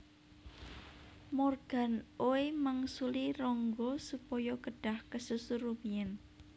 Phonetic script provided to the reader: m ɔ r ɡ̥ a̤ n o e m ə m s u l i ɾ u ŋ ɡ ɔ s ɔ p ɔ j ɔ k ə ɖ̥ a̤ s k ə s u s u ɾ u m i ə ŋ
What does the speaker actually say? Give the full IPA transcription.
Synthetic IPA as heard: m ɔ r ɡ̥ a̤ n o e m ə ŋ s u l i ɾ ɔ ŋ ɡ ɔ s u p ɔ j ɔ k ə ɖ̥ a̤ h k ə s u s u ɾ u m i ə n